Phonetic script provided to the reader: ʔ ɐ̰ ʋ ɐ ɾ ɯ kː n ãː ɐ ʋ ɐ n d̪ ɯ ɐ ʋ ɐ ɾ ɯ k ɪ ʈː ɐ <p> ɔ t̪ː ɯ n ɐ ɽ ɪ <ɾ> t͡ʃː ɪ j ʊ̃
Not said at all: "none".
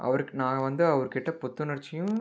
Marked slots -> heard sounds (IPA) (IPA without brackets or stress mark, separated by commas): p, none